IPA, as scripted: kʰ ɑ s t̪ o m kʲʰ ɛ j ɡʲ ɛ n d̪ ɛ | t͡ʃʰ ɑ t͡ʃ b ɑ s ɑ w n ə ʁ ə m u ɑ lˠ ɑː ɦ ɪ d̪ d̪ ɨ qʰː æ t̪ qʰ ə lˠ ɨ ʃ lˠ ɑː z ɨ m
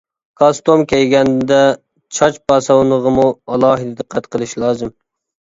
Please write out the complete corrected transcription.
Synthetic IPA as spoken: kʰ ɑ s t̪ o m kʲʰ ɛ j ɡʲ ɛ n d̪ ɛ | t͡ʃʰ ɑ t͡ʃ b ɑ s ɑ w n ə ʁ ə m u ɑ lˠ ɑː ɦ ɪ d̪ d̪ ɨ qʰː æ t̪ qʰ ə lˠ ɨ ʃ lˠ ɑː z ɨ m